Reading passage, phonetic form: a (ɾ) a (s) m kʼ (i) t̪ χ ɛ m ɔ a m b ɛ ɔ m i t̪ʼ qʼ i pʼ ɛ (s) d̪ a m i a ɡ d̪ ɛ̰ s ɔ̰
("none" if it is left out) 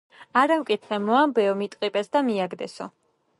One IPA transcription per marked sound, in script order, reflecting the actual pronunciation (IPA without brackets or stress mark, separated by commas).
ɾ, none, i, s